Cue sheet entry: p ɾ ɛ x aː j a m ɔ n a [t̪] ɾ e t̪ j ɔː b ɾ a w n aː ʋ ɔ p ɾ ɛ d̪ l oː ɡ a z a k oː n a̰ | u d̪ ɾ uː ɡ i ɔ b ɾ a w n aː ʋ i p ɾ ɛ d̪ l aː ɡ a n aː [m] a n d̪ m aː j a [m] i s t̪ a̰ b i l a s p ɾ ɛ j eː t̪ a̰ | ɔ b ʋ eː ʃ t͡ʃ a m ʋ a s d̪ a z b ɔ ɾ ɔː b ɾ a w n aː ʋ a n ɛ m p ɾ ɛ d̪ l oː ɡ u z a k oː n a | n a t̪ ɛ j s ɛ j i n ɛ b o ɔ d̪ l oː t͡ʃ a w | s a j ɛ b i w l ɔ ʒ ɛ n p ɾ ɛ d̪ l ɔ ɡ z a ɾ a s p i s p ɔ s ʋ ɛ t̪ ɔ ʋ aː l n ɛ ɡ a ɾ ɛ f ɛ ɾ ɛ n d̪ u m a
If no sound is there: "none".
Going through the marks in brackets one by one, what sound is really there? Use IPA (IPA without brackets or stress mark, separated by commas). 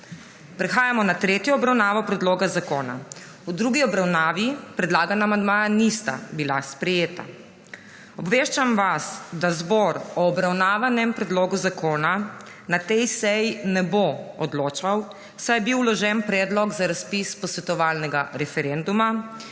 t̪, m, n